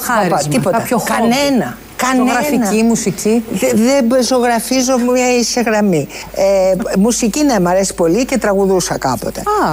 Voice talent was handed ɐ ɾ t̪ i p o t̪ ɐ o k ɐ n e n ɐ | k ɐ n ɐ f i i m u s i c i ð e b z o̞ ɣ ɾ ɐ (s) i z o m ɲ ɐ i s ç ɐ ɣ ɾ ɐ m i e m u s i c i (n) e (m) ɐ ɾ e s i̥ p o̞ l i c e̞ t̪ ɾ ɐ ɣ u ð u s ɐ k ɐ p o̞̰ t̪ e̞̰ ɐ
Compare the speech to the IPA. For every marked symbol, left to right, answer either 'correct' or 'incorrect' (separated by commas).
incorrect, correct, correct